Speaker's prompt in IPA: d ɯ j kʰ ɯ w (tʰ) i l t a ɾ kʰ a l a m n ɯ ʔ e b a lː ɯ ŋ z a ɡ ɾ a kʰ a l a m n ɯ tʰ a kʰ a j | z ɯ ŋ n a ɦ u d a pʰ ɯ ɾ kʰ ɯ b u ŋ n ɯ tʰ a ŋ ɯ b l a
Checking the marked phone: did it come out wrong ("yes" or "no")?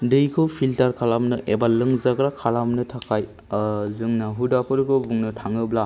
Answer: yes